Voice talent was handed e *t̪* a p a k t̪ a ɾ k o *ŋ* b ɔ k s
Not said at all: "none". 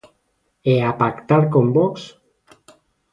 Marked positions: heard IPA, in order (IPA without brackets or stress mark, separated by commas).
none, m